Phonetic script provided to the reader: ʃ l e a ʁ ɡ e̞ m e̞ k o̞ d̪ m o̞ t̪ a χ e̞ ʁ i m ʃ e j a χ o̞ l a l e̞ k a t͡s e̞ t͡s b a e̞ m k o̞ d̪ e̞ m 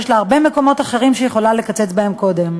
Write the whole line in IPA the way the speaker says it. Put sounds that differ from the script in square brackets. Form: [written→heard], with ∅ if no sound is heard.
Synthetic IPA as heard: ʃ l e a ʁ [ɡ→b] e̞ m e̞ k o̞ [d̪→∅] m o̞ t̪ a χ e̞ ʁ i m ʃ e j [a→e] χ o̞ l a l e̞ k a t͡s e̞ t͡s b a e̞ m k o̞ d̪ e̞ m